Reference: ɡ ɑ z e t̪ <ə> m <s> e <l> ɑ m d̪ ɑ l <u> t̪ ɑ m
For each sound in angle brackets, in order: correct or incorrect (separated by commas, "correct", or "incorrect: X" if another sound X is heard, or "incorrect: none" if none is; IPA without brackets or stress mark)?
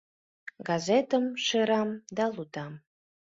correct, incorrect: ʃ, incorrect: ɾ, correct